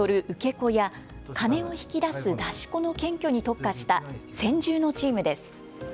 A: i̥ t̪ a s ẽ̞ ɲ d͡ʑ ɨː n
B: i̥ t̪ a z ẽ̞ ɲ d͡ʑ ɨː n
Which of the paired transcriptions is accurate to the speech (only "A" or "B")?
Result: A